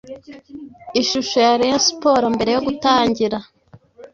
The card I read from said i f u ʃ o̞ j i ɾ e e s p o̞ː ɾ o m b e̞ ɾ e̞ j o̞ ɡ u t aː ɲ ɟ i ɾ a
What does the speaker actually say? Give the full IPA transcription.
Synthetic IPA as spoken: i ʃ u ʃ o̞ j a ɾ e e s p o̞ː ɾ o m b e̞ ɾ e̞ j o̞ ɡ u t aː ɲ ɟ i ɾ a